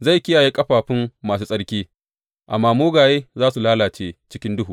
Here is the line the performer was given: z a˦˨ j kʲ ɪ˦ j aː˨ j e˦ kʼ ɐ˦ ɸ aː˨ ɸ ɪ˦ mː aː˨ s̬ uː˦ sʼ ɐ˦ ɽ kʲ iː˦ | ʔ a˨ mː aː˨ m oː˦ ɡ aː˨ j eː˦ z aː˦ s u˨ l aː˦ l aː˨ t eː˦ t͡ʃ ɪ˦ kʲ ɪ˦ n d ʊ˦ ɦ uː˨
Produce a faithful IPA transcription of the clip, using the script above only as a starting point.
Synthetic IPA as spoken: z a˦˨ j kʲ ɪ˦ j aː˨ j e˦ kʼ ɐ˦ ɸ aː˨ ɸ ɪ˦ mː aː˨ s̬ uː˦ sʼ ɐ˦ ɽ kʲ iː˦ | ʔ a˨ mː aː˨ m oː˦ ɡ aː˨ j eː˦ z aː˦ s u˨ l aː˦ l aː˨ t͡ʃ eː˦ t͡ʃ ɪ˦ kʲ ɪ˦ n d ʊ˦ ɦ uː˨